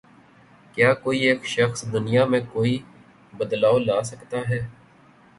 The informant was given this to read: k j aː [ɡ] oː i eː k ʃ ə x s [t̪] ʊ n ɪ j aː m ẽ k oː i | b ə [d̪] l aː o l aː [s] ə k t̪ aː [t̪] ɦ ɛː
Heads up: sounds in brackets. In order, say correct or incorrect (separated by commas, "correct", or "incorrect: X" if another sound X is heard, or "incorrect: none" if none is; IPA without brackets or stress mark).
incorrect: k, incorrect: d̪, correct, correct, incorrect: none